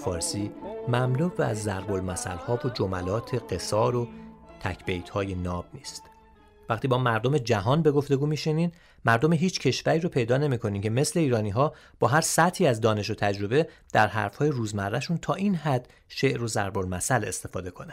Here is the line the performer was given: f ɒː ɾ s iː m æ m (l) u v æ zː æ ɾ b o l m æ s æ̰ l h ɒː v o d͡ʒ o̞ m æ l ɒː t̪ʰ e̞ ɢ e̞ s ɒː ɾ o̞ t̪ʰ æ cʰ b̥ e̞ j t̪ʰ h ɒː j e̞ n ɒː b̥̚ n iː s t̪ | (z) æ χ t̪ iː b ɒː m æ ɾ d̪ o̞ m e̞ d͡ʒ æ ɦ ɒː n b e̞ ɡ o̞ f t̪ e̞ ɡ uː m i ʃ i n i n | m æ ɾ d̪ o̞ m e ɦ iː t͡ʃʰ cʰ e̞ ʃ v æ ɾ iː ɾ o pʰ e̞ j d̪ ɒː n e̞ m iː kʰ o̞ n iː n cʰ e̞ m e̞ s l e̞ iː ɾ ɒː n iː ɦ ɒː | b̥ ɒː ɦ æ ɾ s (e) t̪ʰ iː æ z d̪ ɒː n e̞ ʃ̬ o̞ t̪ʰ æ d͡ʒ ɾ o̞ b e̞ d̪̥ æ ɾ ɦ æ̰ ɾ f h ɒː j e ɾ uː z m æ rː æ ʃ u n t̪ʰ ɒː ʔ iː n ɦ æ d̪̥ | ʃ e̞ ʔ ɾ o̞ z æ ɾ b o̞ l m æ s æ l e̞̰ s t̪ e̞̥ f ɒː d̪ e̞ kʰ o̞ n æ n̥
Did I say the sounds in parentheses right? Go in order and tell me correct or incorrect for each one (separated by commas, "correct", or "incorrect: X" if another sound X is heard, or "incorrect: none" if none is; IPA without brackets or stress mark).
correct, incorrect: v, incorrect: æ